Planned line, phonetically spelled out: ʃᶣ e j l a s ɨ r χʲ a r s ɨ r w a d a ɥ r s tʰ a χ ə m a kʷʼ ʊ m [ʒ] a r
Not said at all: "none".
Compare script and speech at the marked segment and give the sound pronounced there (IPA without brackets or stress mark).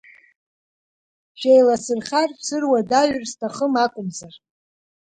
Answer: z